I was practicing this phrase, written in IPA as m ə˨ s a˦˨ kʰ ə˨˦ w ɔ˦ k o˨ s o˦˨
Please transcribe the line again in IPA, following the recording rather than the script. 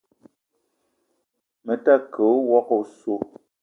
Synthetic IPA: m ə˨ t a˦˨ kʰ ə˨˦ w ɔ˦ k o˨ s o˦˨